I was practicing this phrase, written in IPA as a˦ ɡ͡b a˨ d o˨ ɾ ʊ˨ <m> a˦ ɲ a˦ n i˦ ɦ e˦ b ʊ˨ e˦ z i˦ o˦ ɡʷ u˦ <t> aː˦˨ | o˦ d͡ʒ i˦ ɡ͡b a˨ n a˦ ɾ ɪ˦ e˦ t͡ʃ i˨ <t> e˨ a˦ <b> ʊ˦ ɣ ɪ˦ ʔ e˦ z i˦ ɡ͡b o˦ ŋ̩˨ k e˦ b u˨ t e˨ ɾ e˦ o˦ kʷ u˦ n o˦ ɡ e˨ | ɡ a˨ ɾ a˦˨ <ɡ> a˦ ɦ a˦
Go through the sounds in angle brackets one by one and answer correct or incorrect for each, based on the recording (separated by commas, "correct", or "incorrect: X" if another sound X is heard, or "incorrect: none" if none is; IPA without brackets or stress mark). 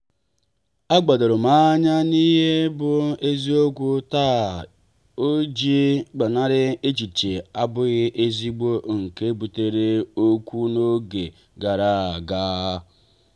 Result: correct, correct, incorrect: t͡ʃ, correct, correct